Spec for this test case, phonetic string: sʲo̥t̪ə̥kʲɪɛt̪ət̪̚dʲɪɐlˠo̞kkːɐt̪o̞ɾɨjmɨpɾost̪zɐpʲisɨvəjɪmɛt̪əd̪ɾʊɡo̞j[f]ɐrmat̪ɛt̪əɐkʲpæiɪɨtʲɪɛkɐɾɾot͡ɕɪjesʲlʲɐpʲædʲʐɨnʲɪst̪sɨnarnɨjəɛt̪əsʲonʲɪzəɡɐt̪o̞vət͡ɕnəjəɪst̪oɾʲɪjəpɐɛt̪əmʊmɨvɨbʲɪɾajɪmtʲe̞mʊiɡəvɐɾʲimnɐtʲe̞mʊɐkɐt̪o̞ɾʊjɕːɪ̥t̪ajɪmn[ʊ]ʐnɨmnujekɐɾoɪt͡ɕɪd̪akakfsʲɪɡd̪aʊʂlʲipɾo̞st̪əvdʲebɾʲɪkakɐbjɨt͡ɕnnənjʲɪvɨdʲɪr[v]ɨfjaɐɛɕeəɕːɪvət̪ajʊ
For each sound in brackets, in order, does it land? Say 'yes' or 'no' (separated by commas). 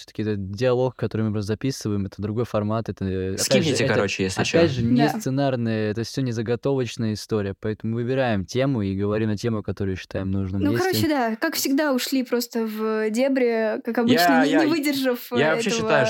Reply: yes, no, no